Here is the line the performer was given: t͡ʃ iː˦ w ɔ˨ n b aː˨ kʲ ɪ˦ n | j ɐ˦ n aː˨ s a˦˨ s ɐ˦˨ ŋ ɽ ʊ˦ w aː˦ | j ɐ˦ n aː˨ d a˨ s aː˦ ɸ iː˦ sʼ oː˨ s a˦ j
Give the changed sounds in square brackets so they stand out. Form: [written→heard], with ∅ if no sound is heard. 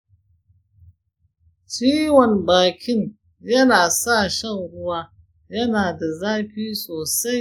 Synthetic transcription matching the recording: t͡ʃ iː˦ w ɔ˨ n b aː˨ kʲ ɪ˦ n | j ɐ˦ n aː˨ s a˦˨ [s→ʃ] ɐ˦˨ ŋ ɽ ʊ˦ w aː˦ | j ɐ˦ n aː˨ d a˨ [s→z] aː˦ ɸ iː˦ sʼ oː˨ s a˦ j